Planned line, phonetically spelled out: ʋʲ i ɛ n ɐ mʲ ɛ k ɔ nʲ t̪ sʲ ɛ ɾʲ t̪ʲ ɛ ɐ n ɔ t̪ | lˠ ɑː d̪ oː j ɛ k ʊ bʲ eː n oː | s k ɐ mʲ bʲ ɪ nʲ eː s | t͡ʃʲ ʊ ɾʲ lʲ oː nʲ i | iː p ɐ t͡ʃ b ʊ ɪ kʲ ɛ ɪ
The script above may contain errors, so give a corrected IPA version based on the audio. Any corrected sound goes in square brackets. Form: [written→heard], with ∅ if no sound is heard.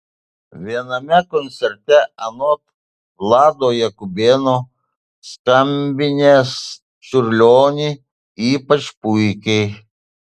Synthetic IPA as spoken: ʋʲ i ɛ n ɐ mʲ ɛ k ɔ nʲ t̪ sʲ ɛ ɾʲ t̪ʲ ɛ ɐ n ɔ t̪ | lˠ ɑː d̪ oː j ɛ k ʊ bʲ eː n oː | s k ɐ mʲ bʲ ɪ nʲ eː s | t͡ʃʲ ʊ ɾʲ lʲ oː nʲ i | iː p ɐ t͡ʃ [b→p] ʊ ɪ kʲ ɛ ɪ